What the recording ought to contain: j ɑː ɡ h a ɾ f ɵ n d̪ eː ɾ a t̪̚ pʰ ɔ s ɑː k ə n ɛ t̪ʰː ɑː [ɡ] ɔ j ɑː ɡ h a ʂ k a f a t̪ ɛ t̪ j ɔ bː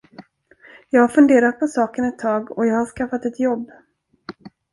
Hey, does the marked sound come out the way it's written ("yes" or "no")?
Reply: yes